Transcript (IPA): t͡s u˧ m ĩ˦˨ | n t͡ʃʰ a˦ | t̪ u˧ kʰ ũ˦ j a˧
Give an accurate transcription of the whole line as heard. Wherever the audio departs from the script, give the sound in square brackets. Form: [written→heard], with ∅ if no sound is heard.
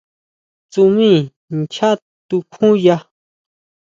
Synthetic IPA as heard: t͡s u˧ m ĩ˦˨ | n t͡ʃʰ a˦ | t̪ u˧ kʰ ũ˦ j a˧